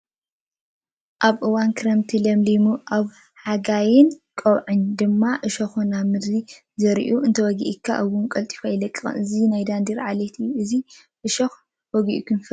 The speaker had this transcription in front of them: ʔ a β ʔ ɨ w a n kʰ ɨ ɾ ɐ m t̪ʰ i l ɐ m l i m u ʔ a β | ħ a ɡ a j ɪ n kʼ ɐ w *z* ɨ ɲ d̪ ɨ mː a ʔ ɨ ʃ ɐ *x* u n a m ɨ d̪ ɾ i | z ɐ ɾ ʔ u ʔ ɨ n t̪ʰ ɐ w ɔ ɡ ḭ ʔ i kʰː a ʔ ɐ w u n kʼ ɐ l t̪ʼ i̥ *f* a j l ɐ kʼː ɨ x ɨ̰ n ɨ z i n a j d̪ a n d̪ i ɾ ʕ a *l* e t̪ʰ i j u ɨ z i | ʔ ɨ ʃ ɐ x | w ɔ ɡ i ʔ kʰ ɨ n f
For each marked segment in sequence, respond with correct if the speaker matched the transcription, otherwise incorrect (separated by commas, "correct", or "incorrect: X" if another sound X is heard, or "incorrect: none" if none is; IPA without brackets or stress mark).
incorrect: ʕ, correct, correct, correct